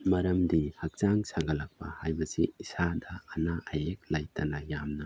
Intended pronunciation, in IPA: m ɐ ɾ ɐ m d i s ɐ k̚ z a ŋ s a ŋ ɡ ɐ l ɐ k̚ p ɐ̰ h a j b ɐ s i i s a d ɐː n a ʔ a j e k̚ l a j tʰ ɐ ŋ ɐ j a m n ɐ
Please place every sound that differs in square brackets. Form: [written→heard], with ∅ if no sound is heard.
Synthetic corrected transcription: m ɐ ɾ ɐ m d i [s→h] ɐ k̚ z a ŋ s a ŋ ɡ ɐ l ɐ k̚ p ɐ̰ h a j b ɐ s i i s a d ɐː n a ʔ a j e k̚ l a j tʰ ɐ [ŋ→n] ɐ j a m n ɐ